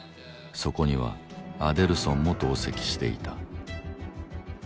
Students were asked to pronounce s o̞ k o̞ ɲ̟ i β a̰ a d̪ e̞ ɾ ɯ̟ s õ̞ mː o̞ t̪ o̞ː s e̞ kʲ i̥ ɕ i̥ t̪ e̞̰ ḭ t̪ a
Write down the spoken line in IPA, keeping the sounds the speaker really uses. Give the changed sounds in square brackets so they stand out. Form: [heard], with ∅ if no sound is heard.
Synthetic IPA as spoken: s o̞ k o̞ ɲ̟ i β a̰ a d̪ e̞ ɾ ɯ̟ s õ̞ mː o̞ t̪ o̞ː s e̞ kʲ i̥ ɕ i̥ t̪ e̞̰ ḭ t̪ a